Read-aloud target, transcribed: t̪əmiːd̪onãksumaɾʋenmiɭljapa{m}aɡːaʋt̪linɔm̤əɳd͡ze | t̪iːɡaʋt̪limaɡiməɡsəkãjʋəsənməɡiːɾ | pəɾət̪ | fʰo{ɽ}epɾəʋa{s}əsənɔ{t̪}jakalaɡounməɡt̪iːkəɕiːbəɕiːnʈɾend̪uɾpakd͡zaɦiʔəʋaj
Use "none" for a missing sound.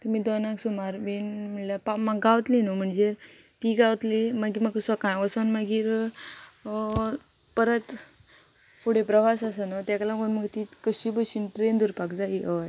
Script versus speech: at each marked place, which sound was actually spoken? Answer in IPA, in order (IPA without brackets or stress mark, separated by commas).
m, ɽ, s, t̪